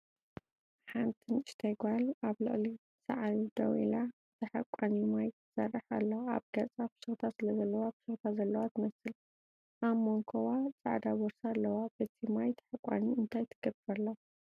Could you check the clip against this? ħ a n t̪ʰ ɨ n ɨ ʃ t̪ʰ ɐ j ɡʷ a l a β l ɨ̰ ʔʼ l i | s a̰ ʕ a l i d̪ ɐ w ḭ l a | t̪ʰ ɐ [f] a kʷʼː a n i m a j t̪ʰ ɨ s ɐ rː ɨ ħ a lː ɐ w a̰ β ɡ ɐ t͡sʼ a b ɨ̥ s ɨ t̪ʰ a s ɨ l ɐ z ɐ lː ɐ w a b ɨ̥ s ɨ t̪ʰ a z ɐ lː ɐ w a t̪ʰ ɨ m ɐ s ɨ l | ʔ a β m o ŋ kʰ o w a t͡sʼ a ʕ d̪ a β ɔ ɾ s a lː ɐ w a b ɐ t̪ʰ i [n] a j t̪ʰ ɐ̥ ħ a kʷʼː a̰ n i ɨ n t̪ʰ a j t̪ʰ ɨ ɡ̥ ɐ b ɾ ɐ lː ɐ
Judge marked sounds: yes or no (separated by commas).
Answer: no, no